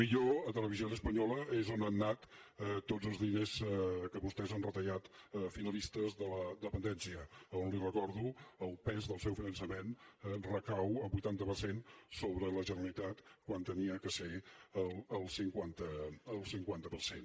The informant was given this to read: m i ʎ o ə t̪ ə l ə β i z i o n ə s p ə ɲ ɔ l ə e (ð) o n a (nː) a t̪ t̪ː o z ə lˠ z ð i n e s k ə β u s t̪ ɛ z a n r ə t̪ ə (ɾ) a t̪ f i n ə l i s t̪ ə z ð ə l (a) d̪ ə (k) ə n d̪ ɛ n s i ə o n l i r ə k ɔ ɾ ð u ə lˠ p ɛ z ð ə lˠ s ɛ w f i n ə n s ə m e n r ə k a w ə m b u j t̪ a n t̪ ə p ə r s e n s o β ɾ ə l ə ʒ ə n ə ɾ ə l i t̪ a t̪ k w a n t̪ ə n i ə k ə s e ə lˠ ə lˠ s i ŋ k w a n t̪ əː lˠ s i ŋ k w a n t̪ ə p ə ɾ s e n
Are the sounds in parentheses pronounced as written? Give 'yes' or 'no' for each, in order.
no, yes, no, no, no

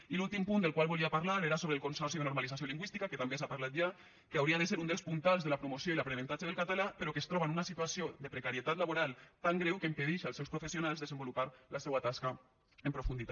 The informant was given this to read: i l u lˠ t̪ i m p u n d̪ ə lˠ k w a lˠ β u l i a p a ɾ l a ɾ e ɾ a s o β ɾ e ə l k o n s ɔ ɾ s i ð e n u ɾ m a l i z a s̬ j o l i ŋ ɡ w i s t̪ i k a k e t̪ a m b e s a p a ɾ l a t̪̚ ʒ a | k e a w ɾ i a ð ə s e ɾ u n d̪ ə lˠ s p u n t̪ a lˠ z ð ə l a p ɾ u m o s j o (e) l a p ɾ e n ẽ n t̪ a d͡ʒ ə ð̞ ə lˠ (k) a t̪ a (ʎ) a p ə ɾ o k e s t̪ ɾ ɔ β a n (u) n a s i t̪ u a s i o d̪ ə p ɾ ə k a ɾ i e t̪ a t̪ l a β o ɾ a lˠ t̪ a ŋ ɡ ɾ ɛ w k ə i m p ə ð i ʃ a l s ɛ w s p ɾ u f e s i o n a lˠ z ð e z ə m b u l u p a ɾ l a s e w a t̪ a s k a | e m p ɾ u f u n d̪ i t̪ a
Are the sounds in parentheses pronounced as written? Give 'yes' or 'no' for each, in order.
no, yes, no, yes

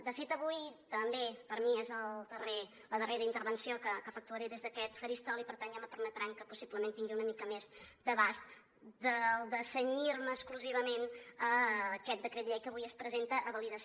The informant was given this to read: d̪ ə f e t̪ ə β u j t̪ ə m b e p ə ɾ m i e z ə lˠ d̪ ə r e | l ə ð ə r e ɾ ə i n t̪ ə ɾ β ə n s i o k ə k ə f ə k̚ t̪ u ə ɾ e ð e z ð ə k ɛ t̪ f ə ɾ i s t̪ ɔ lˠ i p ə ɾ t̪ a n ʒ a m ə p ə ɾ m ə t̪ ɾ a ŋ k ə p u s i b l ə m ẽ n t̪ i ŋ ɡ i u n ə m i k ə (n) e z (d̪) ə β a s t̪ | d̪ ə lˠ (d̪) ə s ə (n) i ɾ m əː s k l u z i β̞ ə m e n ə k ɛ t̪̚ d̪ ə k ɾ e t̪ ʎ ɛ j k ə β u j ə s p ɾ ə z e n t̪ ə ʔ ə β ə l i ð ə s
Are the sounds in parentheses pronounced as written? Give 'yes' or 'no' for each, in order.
no, yes, yes, no

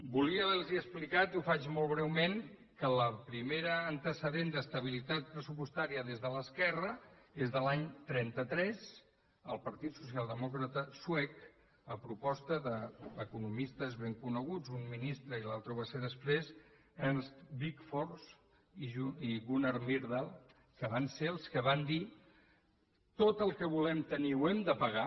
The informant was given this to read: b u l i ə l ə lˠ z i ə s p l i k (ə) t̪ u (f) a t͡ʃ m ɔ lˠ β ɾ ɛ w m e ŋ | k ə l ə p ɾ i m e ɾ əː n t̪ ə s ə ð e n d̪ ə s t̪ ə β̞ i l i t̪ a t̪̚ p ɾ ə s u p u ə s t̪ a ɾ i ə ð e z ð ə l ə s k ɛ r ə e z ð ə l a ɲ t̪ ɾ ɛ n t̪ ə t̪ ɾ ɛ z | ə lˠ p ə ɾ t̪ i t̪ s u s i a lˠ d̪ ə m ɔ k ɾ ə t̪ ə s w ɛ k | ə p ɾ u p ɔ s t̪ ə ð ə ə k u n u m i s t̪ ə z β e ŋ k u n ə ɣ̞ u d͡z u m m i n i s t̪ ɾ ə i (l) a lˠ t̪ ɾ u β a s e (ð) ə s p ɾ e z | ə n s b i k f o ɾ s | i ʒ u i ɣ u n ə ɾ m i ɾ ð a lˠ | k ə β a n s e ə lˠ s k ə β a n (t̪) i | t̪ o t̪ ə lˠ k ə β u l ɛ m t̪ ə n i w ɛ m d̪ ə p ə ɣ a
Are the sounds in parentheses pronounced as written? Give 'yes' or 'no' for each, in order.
no, yes, yes, yes, no

